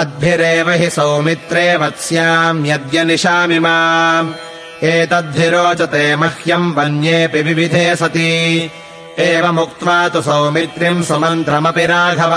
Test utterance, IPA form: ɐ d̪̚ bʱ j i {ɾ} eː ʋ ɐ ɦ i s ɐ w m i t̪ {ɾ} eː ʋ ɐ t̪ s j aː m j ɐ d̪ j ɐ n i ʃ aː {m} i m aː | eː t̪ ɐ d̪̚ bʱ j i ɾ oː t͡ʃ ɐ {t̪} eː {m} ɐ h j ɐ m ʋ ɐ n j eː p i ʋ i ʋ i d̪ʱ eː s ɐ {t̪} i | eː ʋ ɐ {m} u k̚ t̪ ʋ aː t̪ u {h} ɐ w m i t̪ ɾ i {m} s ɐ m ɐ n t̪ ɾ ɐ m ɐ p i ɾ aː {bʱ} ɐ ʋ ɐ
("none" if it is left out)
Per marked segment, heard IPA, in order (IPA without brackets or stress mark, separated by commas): ɾ, ɾ, m, t̪, m, t̪, m, s, m, ɡʱ